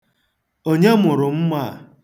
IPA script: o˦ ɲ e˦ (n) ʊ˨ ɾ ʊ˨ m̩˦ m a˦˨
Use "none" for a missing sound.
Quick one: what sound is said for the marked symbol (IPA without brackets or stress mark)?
m